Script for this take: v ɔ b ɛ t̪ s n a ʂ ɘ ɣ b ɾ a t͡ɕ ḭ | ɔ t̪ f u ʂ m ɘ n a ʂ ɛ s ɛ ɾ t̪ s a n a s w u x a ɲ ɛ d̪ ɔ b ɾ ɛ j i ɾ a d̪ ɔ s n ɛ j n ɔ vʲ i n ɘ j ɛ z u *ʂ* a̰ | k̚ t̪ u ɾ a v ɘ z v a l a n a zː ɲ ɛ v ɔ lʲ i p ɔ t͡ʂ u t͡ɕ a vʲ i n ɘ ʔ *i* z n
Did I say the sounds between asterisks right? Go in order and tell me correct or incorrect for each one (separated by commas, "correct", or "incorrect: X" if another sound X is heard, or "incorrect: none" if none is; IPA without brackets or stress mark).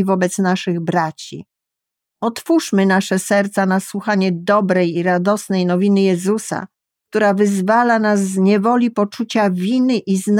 incorrect: s, correct